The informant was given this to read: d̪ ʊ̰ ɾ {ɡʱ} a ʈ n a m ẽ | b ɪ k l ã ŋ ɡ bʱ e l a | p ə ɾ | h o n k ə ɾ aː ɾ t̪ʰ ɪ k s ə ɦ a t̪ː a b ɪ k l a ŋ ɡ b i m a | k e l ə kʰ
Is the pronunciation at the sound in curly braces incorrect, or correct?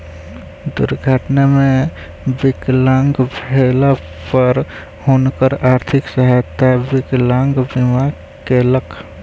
correct